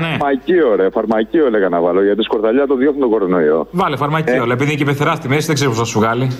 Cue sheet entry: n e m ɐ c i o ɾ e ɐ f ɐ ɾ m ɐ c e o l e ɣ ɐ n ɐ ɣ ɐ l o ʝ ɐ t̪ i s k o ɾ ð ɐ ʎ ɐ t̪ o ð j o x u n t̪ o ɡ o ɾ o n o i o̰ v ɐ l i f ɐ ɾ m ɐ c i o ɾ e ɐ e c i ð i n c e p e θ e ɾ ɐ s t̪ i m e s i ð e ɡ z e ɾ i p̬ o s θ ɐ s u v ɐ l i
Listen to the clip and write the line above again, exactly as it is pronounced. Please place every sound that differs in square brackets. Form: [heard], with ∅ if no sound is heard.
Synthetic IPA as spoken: n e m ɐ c i o ɾ e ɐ f ɐ ɾ m ɐ c [i] o l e ɣ ɐ n ɐ [v] ɐ l o ʝ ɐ t̪ i s k o ɾ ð ɐ ʎ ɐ t̪ o ð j o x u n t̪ o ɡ o ɾ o n o i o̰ v ɐ l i f ɐ ɾ m ɐ c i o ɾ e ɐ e [p] i ð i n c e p e θ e ɾ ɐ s t̪ i m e s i ð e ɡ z e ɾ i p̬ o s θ ɐ s u [ɣ] ɐ l i